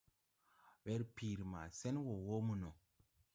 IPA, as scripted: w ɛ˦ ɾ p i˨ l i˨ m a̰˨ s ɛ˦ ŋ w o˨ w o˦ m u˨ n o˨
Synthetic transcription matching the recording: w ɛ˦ ɾ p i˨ ɾ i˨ m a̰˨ s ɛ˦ n w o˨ w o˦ m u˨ n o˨